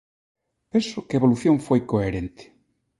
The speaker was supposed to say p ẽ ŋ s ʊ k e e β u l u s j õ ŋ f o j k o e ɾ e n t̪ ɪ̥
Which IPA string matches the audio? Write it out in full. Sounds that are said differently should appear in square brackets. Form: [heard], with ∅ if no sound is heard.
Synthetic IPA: p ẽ [n] s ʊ k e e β [o] l u [θ] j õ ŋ f o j k o e ɾ e n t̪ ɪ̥

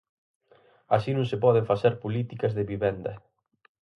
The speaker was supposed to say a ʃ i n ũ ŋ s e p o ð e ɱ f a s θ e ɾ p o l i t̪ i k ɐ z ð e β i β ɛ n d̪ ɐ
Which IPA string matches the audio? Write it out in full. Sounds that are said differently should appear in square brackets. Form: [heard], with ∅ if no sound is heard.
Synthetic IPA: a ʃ i n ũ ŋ s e p [ɔ] ð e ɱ f a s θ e ɾ p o l i t̪ i k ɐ z ð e β i β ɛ n d̪ ɐ

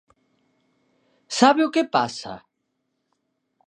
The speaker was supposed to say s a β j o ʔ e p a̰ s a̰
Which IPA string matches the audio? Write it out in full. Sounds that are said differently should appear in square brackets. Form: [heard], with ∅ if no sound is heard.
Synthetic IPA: s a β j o [k] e p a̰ s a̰

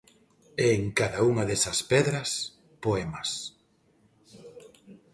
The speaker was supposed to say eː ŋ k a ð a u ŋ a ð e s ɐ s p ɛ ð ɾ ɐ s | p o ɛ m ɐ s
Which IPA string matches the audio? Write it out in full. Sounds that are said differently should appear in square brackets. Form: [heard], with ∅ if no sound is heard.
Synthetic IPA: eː ŋ k a ð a u ŋ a ð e s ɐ s p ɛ ð ɾ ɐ s | p o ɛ m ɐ s

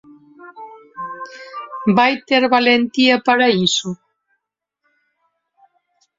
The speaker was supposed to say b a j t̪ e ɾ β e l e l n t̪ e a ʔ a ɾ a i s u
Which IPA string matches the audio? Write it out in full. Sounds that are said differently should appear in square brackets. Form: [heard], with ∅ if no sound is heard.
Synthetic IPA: b a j t̪ e ɾ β [a] l e [∅] n t̪ [i] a [p] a ɾ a i s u

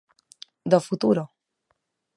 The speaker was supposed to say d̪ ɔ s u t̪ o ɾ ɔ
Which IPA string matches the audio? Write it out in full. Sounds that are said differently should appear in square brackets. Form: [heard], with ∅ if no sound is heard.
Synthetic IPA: d̪ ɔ [f] u t̪ [u] ɾ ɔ

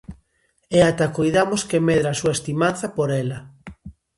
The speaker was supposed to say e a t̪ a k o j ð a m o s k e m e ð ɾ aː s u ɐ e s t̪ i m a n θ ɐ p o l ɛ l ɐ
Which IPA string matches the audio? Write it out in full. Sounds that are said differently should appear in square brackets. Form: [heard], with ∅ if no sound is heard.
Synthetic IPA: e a t̪ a k o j ð a m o s k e m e ð ɾ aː s u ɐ e s t̪ i m a n θ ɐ p o [ɾ] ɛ l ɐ

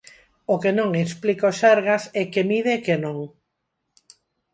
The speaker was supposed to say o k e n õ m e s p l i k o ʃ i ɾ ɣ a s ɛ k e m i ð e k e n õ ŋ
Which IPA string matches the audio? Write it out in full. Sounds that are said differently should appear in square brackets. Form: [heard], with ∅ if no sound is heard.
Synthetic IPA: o k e n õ [ŋ] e s p l i k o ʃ [a] ɾ ɣ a s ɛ k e m i ð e k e n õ ŋ

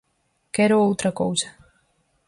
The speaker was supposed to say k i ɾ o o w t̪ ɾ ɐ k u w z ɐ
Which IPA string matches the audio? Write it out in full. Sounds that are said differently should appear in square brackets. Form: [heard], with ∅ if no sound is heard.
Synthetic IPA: k [ɛ] ɾ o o w t̪ ɾ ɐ k [o] w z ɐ

